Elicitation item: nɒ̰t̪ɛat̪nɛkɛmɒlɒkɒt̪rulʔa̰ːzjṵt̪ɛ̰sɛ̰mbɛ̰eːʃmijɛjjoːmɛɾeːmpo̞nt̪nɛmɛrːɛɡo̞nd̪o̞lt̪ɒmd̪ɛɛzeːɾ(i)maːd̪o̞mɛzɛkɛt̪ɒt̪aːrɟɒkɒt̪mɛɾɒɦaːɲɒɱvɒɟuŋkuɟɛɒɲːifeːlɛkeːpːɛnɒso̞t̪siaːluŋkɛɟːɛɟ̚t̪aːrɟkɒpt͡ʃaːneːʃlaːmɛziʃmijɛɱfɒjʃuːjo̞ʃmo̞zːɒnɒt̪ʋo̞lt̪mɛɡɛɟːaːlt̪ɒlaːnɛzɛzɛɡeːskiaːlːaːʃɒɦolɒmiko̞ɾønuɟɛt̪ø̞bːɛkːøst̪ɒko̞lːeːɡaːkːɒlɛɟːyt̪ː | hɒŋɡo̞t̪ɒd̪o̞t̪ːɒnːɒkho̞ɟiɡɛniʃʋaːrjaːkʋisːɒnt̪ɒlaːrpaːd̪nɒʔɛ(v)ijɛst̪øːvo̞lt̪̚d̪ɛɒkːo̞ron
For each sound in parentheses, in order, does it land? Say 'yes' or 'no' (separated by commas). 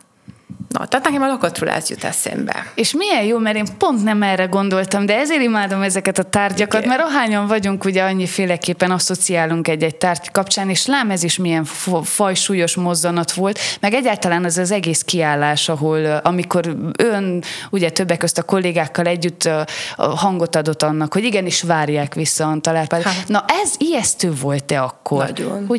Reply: yes, no